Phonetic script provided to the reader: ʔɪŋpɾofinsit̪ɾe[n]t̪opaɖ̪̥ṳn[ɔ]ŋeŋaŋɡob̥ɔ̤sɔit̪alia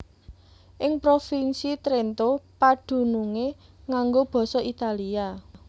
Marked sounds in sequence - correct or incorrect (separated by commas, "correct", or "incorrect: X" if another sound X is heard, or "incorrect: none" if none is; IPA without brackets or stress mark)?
correct, incorrect: u